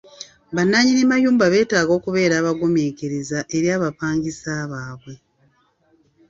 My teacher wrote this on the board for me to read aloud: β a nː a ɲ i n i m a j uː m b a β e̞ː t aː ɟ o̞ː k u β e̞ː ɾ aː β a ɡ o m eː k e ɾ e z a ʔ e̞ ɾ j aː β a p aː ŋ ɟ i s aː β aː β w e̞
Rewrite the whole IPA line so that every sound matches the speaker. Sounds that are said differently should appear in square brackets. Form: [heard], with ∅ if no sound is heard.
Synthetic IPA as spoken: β a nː a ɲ i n i m a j uː m b a β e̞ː t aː [ɡ] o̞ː k u β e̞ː ɾ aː β a ɡ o m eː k e ɾ e z a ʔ e̞ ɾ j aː β a p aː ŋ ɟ i s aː β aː β w e̞